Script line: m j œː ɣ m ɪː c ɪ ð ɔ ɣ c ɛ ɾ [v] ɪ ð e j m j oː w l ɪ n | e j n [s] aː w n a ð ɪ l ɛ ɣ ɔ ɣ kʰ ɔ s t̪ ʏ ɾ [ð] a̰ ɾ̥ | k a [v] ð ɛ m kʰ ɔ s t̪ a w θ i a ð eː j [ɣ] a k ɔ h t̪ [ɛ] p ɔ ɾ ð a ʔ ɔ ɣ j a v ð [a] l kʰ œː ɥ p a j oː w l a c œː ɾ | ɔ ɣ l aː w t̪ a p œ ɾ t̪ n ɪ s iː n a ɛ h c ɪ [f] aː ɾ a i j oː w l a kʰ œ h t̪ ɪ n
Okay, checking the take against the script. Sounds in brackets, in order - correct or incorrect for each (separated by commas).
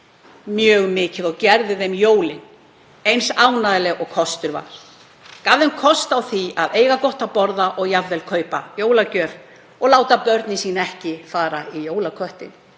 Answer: incorrect, correct, incorrect, correct, correct, incorrect, incorrect, correct